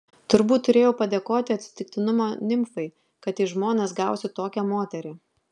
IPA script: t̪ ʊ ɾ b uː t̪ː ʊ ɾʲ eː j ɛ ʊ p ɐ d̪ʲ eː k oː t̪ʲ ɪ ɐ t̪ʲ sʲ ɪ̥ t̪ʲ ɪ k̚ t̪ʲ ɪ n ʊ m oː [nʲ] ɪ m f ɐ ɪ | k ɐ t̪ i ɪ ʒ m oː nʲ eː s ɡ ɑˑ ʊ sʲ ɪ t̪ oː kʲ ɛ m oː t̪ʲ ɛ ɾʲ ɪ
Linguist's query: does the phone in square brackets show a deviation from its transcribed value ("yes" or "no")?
no